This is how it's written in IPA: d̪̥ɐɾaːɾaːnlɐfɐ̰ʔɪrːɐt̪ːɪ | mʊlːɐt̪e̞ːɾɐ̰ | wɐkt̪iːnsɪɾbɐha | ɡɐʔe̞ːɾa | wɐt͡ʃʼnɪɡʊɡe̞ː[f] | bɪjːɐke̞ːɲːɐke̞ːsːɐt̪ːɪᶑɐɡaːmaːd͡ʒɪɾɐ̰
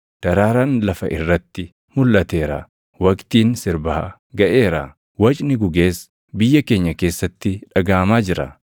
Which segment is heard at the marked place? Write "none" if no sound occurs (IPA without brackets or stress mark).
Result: s